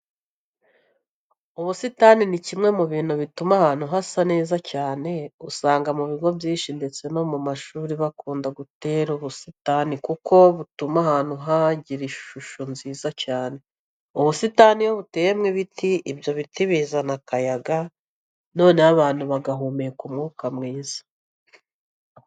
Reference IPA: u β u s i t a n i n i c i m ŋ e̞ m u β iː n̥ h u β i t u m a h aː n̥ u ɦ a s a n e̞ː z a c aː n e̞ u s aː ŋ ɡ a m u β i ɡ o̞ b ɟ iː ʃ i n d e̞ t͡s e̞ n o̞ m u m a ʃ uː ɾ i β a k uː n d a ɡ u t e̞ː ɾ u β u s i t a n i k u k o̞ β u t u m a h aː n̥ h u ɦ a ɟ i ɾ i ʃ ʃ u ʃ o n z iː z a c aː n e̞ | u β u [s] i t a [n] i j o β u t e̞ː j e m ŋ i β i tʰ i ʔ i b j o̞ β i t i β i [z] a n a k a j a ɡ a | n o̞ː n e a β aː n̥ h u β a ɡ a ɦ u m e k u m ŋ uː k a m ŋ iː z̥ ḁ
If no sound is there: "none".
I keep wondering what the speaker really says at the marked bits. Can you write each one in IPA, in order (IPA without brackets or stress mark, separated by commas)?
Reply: s, n, z